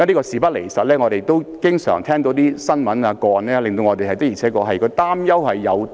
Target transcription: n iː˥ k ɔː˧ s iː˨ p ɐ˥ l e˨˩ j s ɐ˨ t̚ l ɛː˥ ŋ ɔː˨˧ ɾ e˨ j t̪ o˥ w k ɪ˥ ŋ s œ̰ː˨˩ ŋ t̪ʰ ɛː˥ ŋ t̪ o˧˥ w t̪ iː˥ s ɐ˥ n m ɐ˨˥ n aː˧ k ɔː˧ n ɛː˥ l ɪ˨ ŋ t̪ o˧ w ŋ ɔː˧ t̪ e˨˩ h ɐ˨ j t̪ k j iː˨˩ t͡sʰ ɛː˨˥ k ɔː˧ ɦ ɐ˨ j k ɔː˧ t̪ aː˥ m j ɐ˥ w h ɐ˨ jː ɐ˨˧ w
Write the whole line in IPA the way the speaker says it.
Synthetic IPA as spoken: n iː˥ k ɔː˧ s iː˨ p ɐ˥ l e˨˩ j s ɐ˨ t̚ l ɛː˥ ŋ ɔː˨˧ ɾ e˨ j t̪ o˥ w k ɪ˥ ŋ s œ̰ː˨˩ ŋ t̪ʰ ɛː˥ ŋ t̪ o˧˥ w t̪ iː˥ s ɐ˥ n m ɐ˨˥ n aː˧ k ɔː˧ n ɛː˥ l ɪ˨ ŋ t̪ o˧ w ŋ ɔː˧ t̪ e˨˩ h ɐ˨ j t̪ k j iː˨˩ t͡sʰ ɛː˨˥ k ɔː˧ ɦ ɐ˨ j k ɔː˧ t̪ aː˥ m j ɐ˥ w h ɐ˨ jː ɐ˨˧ w